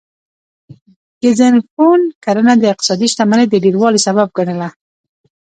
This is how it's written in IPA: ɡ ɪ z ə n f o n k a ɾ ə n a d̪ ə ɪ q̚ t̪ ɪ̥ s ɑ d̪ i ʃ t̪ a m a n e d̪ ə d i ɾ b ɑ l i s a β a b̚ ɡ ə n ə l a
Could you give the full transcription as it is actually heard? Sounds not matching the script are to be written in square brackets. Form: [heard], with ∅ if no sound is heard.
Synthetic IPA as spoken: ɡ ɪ z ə n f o n k a ɾ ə n a d̪ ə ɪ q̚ t̪ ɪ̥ s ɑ d̪ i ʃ t̪ a m a n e d̪ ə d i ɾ [w] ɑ l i s a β a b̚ ɡ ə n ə l a